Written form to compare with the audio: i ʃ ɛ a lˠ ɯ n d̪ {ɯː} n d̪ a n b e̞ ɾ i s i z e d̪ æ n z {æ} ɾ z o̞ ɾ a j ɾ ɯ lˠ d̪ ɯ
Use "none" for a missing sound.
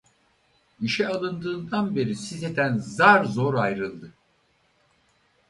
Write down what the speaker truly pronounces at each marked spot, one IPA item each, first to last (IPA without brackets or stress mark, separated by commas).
ɯː, a